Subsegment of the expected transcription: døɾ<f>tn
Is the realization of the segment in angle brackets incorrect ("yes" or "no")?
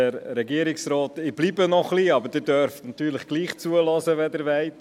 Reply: no